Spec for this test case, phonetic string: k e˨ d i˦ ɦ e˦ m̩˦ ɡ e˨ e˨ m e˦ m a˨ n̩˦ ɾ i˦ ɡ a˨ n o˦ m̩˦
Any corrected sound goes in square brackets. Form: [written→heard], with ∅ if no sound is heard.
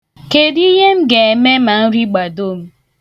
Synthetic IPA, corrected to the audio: k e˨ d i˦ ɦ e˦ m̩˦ ɡ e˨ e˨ m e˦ m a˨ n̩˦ ɾ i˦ [ɡ→ɡ͡b] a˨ [n→d] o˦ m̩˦